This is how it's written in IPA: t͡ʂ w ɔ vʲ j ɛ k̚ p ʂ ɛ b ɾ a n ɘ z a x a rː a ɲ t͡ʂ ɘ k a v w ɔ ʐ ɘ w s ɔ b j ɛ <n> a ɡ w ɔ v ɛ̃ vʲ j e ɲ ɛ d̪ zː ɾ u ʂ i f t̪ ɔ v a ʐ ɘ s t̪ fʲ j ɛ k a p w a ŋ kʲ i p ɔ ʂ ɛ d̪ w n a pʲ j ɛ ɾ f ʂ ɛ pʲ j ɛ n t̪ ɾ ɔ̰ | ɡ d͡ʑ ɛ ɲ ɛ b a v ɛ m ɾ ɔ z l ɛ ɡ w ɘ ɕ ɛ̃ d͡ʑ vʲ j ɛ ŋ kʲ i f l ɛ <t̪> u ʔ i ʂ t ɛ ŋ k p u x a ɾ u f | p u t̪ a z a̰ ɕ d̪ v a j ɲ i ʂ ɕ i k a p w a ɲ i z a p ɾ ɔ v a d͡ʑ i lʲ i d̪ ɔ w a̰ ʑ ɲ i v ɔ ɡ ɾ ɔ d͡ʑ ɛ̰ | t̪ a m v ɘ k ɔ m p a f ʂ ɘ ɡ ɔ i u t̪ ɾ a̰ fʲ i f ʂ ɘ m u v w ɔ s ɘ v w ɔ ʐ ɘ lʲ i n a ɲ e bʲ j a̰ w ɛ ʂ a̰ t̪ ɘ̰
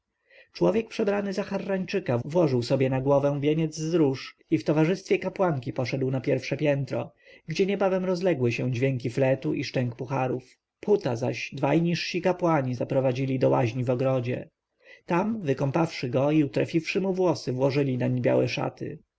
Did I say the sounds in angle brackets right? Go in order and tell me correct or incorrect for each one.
correct, correct

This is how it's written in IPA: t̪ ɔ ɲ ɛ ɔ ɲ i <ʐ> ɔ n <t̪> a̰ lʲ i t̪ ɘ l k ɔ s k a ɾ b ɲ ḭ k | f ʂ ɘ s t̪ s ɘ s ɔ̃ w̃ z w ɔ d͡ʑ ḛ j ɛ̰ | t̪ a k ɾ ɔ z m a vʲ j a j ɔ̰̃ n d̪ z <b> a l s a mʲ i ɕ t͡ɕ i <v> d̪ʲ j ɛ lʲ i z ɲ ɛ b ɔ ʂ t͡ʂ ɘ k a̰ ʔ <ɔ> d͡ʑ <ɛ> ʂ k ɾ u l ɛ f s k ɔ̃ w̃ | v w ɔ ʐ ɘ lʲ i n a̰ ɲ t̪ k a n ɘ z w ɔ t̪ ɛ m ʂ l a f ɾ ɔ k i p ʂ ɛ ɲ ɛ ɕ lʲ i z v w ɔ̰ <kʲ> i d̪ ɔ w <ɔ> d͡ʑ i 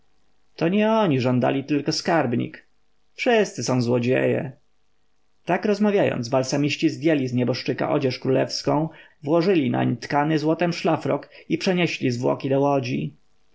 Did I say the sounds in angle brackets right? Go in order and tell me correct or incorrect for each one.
correct, incorrect: d̪, correct, incorrect: z, correct, correct, correct, correct

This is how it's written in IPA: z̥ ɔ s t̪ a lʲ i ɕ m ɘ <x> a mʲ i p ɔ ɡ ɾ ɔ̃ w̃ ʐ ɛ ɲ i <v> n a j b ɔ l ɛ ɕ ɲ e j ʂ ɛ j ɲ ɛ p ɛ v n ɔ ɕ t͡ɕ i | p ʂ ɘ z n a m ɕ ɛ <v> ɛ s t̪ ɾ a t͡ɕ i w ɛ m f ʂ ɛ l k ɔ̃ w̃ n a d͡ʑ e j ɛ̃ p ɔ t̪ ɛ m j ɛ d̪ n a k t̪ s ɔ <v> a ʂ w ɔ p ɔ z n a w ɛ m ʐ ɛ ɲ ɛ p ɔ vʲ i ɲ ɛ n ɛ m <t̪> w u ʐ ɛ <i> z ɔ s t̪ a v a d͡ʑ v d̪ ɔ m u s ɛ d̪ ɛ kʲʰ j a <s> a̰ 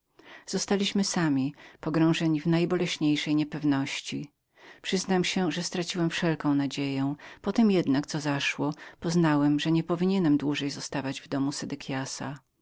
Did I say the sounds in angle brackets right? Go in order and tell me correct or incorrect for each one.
incorrect: s, correct, incorrect: ʐ, incorrect: z, incorrect: d̪, incorrect: j, correct

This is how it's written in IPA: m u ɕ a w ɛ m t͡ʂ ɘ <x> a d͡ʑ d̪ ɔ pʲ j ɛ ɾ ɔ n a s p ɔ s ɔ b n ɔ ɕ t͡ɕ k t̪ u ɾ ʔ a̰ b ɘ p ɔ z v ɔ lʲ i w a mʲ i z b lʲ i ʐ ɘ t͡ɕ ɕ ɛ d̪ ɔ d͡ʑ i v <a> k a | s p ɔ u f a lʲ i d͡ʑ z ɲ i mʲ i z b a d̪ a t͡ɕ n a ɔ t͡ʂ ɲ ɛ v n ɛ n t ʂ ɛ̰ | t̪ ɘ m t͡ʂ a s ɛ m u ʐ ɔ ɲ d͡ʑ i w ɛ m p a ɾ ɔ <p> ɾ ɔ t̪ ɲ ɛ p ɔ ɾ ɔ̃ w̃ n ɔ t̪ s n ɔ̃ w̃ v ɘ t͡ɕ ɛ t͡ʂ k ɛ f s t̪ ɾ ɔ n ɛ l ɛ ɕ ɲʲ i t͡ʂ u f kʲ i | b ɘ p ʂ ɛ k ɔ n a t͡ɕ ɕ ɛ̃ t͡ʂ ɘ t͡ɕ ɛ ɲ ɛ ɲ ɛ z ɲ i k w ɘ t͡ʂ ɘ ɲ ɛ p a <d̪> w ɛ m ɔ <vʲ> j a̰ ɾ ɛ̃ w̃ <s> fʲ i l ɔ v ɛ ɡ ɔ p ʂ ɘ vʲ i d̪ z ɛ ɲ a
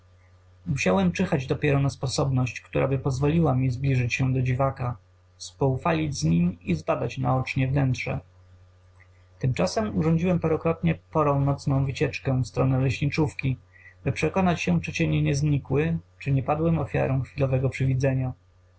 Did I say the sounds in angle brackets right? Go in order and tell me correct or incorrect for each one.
correct, correct, incorrect: k, correct, incorrect: fʲ, incorrect: x

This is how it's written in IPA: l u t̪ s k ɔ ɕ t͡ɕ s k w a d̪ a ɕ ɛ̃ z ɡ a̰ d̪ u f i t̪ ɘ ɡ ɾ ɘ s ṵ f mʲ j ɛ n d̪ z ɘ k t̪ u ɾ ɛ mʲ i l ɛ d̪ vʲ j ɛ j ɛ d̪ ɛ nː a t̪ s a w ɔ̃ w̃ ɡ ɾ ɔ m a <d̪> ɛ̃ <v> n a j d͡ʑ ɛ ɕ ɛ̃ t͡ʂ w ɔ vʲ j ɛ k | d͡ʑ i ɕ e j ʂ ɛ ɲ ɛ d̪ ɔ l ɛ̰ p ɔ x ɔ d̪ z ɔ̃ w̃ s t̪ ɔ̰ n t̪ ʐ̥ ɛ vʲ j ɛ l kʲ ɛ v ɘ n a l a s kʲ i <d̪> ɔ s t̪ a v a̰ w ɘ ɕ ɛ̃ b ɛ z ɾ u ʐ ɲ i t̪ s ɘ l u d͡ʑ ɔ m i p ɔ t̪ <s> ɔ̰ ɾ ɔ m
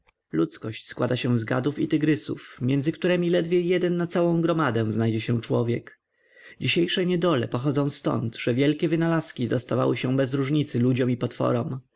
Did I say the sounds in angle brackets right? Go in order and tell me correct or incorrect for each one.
correct, incorrect: z, correct, incorrect: f

